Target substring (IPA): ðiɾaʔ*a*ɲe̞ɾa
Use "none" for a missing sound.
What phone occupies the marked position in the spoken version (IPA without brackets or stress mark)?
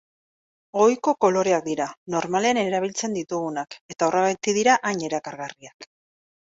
a